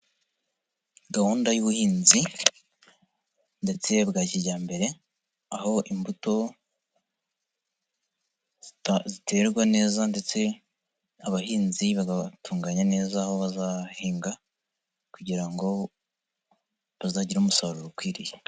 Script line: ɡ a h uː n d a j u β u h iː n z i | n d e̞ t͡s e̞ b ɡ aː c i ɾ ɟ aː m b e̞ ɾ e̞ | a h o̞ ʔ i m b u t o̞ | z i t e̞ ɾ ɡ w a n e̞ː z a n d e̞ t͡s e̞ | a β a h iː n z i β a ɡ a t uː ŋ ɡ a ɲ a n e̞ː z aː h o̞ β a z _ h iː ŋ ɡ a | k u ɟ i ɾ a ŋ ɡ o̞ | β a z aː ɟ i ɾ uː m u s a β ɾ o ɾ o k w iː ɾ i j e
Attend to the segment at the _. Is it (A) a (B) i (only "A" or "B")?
A